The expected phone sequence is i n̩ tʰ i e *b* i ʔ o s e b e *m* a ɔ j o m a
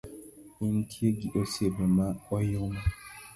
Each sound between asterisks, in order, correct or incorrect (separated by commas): incorrect, correct